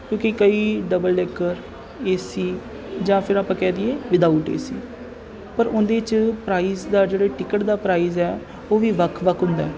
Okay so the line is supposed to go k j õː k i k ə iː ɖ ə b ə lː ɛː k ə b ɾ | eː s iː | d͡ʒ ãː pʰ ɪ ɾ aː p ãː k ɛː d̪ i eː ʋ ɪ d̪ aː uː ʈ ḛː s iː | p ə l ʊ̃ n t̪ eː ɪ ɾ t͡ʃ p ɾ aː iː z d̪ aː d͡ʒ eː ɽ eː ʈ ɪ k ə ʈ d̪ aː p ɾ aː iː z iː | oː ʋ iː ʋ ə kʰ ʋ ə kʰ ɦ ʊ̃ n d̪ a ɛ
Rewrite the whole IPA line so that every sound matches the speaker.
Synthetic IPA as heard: k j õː k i k ə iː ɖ ə b ə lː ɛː k ə ɾ | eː s iː | d͡ʒ ãː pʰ ɪ ɾ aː p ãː k ɛː d̪ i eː ʋ ɪ d̪ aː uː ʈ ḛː s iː | p ə ɾ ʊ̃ n d̪ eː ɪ t͡ʃ p ɾ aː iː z d̪ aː d͡ʒ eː ɽ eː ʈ ɪ k ə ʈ d̪ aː p ɾ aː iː z ɛː | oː ʋ iː ʋ ə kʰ ʋ ə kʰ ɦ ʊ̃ n d̪ a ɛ